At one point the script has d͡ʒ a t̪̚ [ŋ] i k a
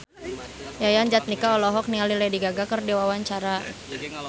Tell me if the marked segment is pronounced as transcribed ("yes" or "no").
no